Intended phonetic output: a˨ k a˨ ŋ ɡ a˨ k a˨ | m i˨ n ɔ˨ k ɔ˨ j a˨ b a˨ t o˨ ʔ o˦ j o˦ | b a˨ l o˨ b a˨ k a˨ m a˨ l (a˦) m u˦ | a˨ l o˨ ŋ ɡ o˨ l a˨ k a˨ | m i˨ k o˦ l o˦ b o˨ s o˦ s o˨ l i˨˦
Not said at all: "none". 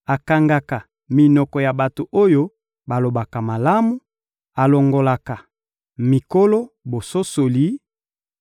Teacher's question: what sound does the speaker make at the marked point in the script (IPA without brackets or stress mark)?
a˦